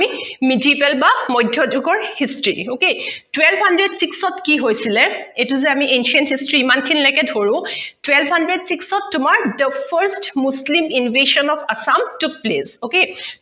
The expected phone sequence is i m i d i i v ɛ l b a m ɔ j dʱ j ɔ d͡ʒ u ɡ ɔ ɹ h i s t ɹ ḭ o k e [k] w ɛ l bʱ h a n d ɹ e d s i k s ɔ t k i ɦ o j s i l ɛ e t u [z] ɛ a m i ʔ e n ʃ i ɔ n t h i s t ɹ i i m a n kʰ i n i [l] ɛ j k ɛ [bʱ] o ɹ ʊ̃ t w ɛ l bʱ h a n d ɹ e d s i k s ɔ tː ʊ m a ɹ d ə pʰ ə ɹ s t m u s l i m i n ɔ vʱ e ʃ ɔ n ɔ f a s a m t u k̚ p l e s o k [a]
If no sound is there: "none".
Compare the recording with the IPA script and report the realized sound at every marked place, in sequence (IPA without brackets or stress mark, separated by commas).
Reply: t, z, l, dʱ, e